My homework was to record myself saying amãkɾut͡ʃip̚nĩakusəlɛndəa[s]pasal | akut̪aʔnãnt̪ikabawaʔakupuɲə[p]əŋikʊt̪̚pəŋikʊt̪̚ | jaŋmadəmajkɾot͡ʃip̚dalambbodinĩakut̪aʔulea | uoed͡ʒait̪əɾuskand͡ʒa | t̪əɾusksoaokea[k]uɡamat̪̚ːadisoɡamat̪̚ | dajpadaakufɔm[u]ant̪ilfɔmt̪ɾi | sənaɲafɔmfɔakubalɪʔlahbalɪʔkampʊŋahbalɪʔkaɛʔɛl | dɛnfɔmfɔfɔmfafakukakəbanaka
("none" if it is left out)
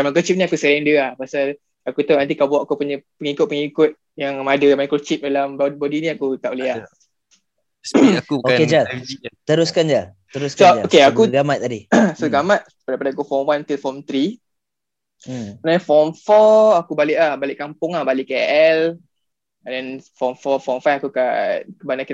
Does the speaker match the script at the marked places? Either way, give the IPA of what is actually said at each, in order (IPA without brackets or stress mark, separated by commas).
h, p, k, w